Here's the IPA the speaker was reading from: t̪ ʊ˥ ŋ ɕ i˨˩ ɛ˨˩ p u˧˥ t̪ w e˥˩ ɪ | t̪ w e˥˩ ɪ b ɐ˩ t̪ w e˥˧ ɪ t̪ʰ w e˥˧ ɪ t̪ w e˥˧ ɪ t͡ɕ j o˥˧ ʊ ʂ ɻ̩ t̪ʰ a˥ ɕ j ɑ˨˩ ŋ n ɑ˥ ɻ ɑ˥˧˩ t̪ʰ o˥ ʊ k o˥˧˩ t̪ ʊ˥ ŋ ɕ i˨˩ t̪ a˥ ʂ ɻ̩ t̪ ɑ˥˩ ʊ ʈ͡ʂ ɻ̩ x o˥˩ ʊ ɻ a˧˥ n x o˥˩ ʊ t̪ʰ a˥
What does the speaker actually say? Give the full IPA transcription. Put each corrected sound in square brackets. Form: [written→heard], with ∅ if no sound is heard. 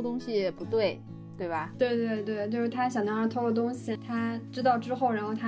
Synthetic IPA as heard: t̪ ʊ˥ ŋ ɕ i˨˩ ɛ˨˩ p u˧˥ t̪ w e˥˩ ɪ | t̪ w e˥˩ ɪ b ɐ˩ t̪ w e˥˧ ɪ [t̪ʰ→t̪] w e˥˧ ɪ t̪ w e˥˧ ɪ t͡ɕ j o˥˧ ʊ ʂ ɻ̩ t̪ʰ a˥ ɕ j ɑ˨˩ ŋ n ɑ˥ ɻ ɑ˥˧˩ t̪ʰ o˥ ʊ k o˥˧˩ t̪ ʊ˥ ŋ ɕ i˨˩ [t̪→t̪ʰ] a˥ [ʂ→ʈ͡ʂ] ɻ̩ t̪ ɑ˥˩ ʊ ʈ͡ʂ ɻ̩ x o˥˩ ʊ ɻ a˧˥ n x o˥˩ ʊ t̪ʰ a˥